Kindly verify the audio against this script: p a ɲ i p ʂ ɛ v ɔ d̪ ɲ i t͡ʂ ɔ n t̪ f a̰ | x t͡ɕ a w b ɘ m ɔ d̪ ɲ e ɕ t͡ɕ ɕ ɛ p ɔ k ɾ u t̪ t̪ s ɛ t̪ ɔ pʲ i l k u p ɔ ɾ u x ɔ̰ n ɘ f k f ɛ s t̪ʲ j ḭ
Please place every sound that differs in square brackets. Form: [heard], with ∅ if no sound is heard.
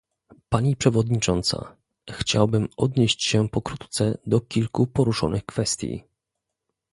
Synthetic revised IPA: p a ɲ i p ʂ ɛ v ɔ d̪ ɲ i t͡ʂ ɔ n t̪ [s] a̰ | x t͡ɕ a w b ɘ m ɔ d̪ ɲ e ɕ t͡ɕ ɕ ɛ p ɔ k ɾ u t̪ t̪ s ɛ [d̪] ɔ [kʲ] i l k u p ɔ ɾ u [ʂ] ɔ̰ n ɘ [x] k f ɛ s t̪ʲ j ḭ